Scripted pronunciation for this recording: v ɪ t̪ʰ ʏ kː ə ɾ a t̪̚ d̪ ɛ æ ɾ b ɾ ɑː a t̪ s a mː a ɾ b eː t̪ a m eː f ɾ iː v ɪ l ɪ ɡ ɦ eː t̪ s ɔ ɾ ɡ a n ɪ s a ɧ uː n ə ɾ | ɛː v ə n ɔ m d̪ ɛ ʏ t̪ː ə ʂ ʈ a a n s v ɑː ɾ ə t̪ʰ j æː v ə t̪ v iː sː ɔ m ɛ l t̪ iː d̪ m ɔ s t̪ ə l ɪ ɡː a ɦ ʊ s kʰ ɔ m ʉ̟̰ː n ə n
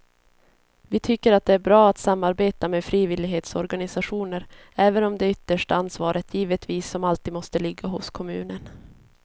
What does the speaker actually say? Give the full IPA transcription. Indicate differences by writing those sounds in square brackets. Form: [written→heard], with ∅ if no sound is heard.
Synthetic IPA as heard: v ɪ t̪ʰ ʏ kː ə ɾ a t̪̚ d̪ ɛ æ ɾ b ɾ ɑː a t̪ s a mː a ɾ b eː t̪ a m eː f ɾ iː v ɪ l ɪ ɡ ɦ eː t̪ s ɔ ɾ ɡ a n ɪ s a ɧ uː n ə ɾ | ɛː v ə n ɔ m d̪ ɛ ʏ t̪ː ə ʂ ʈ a a n s v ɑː ɾ ə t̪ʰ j [æː→iː] v ə t̪ v iː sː ɔ m [ɛ→a] l t̪ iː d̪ m ɔ s t̪ ə l ɪ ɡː a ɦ ʊ s kʰ ɔ m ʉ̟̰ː n ə n